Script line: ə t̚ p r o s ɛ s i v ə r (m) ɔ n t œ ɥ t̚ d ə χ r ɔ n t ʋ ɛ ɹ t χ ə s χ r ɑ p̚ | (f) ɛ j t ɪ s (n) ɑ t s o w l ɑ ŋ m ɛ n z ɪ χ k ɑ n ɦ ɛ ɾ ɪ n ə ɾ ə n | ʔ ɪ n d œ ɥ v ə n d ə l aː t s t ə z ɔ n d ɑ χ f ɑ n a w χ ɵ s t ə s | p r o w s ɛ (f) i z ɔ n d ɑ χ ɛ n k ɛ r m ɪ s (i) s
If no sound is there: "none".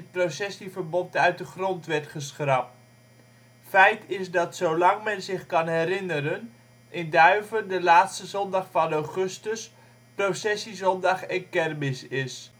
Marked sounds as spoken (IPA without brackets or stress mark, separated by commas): b, f, d, s, ɪ